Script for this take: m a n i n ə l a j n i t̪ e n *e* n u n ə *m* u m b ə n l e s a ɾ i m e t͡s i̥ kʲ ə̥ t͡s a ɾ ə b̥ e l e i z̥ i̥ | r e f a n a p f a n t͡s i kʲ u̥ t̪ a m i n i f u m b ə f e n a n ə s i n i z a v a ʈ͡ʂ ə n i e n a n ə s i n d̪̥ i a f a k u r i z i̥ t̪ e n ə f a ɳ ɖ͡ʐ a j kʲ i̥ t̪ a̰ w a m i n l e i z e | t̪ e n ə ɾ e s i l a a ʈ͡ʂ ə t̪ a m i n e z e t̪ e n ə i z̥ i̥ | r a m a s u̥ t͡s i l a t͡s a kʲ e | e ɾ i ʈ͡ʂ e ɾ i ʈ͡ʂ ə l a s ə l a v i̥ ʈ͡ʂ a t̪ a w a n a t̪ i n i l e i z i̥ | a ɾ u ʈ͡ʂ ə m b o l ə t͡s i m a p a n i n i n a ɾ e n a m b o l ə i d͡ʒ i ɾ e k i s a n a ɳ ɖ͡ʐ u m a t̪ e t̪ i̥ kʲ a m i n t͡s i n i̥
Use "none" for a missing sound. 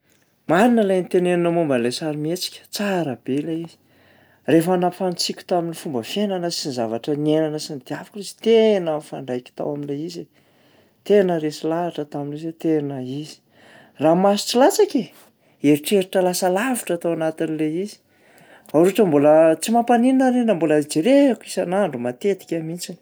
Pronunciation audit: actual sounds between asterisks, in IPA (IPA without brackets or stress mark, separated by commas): e, m